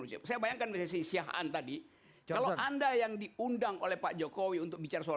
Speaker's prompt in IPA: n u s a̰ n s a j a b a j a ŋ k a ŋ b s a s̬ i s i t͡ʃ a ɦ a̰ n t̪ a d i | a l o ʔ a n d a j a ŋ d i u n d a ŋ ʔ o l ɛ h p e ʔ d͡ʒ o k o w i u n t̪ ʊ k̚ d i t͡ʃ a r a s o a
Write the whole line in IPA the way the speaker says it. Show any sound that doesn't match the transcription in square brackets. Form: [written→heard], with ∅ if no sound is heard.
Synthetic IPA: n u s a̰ [n→∅] s a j a b a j a ŋ k a [ŋ→n] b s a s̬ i s i [t͡ʃ→∅] a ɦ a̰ n t̪ a d i | a l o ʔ a n d a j a ŋ d i u n d a ŋ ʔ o l ɛ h p [e→a] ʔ d͡ʒ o k o w i u n t̪ ʊ k̚ [d→b] i t͡ʃ a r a s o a